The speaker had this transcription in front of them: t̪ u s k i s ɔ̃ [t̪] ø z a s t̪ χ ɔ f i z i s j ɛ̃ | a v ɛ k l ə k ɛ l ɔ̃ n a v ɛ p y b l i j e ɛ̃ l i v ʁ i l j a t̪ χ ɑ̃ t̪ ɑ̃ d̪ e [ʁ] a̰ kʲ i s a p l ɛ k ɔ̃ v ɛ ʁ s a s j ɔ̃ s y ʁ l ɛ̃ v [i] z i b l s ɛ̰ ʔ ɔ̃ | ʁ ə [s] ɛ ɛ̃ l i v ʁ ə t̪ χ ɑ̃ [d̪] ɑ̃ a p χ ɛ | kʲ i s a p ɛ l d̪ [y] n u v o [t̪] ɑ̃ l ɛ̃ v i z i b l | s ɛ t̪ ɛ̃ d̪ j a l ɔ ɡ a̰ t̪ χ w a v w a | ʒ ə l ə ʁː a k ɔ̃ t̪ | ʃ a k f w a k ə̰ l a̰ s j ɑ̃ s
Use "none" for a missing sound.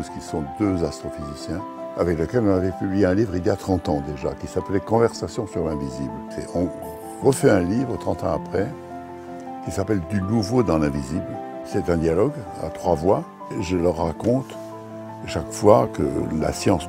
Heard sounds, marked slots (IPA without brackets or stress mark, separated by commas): d̪, ʒ, i, f, t̪, y, d̪